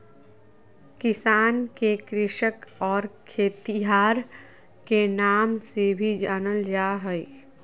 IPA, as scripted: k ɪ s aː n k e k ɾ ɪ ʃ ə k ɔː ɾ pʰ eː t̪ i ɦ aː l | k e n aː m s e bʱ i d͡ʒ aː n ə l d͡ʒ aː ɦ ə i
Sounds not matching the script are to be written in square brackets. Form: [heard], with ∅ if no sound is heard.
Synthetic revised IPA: k ɪ s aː n k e k ɾ ɪ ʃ ə k ɔː ɾ [kʰ] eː t̪ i ɦ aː [ɾ] | k e n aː m s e bʱ i d͡ʒ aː n ə l d͡ʒ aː ɦ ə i